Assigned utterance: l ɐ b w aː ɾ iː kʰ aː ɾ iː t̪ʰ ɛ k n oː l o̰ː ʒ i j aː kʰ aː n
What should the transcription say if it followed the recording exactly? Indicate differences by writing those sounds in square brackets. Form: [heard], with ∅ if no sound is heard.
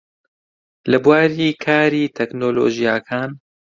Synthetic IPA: l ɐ b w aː ɾ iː kʰ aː ɾ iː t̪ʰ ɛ k n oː l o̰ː ʒ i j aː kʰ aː n